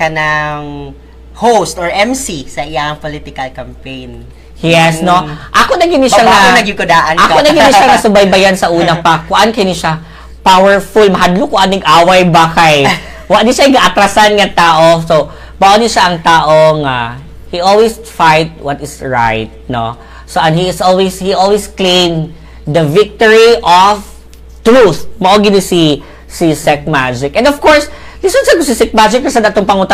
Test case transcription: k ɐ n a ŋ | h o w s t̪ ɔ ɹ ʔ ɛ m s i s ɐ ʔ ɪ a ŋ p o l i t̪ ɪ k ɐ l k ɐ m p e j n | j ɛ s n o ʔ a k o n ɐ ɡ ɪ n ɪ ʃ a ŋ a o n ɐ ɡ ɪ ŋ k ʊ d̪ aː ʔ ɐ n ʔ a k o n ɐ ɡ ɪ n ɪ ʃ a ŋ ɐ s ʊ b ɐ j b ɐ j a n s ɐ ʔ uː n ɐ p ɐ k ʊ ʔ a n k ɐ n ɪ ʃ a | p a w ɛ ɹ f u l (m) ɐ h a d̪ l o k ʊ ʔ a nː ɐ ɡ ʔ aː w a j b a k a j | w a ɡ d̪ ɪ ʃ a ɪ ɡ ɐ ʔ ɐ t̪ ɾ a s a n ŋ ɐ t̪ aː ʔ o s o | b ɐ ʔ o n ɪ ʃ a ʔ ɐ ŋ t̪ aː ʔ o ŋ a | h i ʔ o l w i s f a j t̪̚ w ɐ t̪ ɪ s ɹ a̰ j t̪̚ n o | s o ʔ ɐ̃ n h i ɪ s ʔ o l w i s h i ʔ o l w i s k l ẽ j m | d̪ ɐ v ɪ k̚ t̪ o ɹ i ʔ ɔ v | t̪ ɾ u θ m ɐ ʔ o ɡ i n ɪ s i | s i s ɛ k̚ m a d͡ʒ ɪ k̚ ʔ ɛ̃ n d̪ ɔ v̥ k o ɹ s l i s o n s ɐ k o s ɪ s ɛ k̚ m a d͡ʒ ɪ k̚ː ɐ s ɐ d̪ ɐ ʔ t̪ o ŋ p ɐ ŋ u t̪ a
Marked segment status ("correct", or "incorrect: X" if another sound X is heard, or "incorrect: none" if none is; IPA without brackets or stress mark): correct